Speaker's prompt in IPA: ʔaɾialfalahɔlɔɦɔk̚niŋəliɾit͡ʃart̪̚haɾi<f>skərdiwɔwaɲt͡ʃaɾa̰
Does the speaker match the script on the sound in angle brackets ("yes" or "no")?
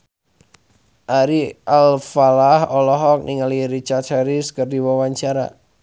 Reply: no